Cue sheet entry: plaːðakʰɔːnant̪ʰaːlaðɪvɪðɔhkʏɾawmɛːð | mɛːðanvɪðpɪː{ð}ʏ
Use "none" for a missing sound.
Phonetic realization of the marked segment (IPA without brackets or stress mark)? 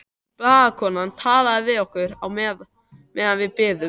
ð